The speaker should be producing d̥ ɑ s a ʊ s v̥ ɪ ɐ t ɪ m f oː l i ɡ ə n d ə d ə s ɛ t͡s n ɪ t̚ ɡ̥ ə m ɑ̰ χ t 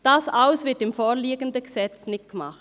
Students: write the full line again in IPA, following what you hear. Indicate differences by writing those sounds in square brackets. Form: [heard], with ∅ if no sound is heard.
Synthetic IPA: d̥ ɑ s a ʊ s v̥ ɪ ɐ t ɪ m f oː l [iː] ɡ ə n d ə [ɡ] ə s ɛ t͡s n ɪ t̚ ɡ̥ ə m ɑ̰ χ t